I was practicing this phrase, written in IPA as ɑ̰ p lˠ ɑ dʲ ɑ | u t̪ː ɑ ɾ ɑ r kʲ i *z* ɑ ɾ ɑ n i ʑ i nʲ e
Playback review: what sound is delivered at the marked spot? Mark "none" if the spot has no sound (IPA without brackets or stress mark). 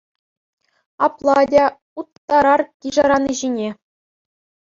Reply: ʐ